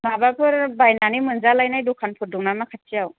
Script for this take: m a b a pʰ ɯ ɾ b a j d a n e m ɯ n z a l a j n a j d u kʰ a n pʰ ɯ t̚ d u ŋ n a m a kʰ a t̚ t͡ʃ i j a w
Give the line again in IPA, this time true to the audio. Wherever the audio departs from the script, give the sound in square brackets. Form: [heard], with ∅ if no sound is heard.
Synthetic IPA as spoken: m a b a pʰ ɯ ɾ b a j [n] a n [i] m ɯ n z a l a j n a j d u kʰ a n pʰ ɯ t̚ d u ŋ n a m a kʰ a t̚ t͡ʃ i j a w